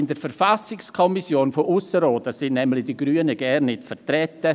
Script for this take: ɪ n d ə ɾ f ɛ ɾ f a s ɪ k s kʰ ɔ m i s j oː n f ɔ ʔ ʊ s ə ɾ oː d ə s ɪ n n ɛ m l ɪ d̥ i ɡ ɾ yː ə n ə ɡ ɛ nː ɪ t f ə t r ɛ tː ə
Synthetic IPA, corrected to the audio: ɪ n d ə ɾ f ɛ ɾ f a s ɪ k s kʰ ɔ m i s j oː n f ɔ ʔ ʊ s ə ɾ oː d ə s ɪ n n ɛ m l ɪ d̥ i ɡ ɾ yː ə n ə ɡ ɛ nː ɪ t f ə t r ɛ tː ə